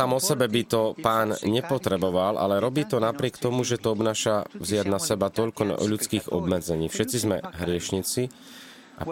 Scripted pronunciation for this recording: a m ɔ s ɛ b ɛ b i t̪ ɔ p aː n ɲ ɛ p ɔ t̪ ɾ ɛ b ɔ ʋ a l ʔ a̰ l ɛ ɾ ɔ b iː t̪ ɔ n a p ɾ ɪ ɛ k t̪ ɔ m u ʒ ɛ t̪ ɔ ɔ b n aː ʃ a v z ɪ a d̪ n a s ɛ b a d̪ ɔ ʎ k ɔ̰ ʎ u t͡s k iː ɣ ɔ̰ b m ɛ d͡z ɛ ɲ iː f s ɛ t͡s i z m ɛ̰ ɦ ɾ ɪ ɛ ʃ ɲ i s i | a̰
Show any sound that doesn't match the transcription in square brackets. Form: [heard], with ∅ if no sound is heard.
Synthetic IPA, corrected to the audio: a m ɔ s ɛ b ɛ b i t̪ ɔ p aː n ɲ ɛ p ɔ t̪ ɾ ɛ b ɔ ʋ a l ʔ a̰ l ɛ ɾ ɔ b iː t̪ ɔ n a p ɾ ɪ ɛ k t̪ ɔ m u ʒ ɛ t̪ ɔ ɔ b n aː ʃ a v z ɪ a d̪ n a s ɛ b a [t̪] ɔ ʎ k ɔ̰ ʎ u t͡s k iː ɣ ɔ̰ b m ɛ d͡z ɛ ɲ iː f [ʃ] ɛ t͡s i z m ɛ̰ ɦ ɾ ɪ ɛ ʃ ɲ i [t͡s] i | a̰